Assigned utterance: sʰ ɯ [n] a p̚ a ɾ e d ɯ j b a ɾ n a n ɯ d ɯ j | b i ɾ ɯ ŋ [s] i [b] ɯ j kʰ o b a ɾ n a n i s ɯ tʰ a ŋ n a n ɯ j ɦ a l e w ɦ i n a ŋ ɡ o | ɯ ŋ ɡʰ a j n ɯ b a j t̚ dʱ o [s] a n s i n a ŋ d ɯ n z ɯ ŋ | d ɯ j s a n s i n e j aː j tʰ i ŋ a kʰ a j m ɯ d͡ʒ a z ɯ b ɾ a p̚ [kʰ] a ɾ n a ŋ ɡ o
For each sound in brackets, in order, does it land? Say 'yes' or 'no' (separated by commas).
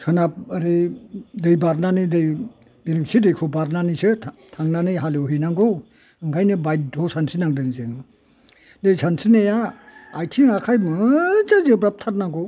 yes, yes, no, yes, no